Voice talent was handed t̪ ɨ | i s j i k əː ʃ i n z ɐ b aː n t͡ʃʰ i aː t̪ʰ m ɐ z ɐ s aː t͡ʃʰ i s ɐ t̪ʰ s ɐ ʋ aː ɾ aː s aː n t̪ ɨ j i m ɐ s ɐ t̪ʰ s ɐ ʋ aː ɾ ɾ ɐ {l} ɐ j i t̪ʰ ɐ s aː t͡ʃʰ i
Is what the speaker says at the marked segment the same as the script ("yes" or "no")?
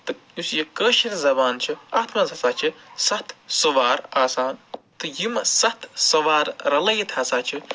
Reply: yes